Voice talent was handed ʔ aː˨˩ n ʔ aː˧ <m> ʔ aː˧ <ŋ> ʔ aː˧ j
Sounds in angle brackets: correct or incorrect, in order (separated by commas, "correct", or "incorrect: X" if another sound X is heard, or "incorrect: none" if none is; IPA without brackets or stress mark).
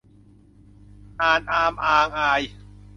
correct, correct